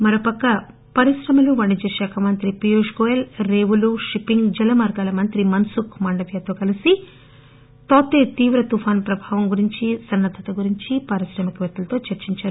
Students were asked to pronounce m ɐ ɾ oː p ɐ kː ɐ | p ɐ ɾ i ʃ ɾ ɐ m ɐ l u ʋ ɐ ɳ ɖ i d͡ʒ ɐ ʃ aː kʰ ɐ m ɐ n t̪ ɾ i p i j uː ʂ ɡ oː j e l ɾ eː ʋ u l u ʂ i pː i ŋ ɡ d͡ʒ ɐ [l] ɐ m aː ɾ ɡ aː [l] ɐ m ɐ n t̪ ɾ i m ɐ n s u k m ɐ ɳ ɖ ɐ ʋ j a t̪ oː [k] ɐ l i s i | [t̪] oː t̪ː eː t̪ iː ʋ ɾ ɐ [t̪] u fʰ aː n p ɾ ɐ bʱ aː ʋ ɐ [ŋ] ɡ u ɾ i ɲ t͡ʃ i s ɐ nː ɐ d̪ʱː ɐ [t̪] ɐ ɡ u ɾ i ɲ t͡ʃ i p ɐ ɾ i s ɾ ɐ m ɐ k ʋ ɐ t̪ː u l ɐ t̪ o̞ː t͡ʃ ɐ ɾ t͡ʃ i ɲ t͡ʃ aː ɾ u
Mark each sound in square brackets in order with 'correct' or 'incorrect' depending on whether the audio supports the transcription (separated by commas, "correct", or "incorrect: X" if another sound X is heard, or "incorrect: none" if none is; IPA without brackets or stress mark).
correct, correct, correct, correct, correct, incorrect: m, correct